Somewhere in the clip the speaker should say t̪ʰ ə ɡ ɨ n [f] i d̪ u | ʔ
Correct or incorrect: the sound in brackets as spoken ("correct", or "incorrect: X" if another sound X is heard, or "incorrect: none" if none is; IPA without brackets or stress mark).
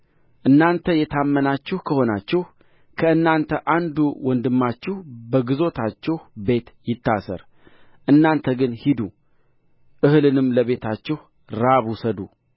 incorrect: h